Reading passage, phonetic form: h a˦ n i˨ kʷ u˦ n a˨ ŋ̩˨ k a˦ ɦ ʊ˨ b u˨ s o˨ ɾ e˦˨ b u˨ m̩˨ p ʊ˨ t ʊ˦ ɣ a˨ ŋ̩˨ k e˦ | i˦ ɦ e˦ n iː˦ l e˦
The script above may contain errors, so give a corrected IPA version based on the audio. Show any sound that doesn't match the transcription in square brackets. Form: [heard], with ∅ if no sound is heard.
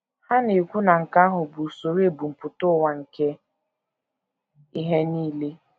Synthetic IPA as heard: h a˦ n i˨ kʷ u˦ n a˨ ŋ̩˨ k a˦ ɦ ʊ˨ b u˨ s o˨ ɾ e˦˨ b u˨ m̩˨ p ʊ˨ t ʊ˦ [w] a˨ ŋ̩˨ k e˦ | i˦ ɦ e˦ n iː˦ l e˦

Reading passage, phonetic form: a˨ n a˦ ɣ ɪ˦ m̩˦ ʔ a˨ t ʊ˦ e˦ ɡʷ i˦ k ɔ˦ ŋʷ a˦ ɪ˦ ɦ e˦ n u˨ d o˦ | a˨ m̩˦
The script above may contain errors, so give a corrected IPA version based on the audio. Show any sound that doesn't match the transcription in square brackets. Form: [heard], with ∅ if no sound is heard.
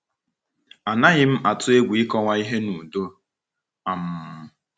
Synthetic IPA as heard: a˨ n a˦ ɣ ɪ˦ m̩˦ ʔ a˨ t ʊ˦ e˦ ɡʷ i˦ k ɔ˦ ŋʷ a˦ [i˦] ɦ e˦ n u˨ d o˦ | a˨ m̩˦

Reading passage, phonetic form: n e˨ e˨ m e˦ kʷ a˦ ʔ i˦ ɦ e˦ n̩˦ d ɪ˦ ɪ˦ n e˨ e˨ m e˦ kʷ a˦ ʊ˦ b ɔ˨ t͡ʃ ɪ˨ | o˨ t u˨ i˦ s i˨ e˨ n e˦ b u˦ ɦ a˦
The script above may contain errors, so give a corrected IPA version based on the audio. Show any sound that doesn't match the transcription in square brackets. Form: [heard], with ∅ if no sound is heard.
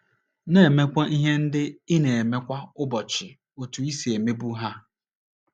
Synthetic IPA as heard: n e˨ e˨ m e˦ kʷ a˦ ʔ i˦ ɦ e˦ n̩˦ d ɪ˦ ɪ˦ n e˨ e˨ m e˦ kʷ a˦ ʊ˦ b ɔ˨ t͡ʃ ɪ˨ | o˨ t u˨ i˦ s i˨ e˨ [m] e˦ b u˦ ɦ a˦

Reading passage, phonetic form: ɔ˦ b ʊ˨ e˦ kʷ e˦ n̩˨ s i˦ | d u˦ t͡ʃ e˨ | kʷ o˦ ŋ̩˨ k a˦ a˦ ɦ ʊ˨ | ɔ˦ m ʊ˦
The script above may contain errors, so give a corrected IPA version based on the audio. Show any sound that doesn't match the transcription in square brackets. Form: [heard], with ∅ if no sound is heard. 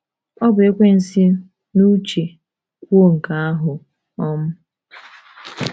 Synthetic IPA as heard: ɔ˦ b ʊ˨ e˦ kʷ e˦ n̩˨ s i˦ | [n] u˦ t͡ʃ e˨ | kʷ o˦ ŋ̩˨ k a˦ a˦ ɦ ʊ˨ | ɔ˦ m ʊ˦

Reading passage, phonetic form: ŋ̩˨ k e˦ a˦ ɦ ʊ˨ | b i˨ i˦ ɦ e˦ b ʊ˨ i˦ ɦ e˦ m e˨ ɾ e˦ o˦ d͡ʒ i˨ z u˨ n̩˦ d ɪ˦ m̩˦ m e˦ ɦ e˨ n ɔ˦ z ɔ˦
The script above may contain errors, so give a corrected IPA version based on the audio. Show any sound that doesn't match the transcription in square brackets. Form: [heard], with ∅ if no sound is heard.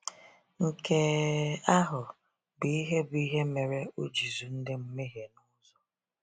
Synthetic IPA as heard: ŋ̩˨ k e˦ a˦ ɦ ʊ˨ | b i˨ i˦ ɦ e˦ b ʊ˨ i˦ ɦ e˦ m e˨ ɾ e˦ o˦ d͡ʒ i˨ z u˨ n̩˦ d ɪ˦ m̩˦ m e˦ ɦ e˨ n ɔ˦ z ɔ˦

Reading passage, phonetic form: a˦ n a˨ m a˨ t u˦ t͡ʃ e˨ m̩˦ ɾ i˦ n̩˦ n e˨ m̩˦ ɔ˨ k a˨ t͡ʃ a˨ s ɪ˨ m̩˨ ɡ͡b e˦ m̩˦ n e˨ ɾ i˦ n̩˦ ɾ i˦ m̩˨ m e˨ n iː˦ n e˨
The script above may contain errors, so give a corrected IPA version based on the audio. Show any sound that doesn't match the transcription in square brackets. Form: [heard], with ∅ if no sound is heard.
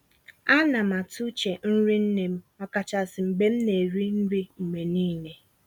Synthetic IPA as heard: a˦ n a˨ m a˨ t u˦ t͡ʃ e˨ [n̩˦] ɾ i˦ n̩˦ n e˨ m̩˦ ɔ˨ k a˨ t͡ʃ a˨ s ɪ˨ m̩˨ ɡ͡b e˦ m̩˦ n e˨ ɾ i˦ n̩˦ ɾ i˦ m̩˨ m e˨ n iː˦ n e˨

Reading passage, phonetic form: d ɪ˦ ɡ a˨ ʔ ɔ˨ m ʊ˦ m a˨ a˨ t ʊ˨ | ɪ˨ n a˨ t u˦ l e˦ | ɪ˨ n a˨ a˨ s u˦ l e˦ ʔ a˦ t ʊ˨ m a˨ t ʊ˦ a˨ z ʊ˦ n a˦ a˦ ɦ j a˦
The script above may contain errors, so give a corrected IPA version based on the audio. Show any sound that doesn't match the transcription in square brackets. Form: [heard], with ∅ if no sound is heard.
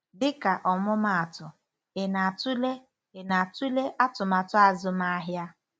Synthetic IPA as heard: d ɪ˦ [k] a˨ ʔ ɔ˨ m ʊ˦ m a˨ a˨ t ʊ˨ | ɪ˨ n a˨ t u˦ l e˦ | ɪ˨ n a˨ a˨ [t] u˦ l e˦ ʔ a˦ t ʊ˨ m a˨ t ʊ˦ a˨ z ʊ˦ [m] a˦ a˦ ɦ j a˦

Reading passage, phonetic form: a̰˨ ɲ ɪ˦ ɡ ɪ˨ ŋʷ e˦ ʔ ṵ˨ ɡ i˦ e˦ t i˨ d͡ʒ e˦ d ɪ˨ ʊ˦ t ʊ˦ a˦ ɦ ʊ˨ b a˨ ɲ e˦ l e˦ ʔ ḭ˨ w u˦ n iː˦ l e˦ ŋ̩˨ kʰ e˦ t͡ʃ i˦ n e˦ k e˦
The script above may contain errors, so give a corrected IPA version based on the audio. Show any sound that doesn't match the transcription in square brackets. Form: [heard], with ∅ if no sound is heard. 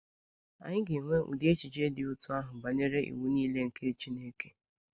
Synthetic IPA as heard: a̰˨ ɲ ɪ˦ ɡ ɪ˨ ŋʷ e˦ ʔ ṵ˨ [d] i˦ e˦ [t͡ʃ] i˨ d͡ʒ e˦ d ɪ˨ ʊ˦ t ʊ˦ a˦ ɦ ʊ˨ b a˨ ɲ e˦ [ɾ] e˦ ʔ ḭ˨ w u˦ n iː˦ l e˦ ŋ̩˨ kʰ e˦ t͡ʃ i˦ n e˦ k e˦

